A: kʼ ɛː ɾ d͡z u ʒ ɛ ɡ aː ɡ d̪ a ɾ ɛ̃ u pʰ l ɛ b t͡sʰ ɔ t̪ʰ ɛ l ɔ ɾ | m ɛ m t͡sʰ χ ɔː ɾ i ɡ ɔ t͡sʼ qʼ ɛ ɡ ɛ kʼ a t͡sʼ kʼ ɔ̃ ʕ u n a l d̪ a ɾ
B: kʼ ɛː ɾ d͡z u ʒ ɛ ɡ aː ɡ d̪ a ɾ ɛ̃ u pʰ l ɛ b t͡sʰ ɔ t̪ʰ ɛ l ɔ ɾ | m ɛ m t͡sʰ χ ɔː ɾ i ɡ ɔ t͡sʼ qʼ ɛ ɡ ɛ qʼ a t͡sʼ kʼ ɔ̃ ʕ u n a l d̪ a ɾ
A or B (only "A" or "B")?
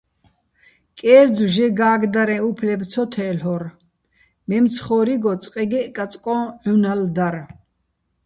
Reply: A